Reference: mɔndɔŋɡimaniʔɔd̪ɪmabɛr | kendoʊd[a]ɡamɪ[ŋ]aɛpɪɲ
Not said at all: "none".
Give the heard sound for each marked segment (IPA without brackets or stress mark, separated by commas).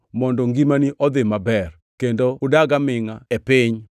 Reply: a, ŋ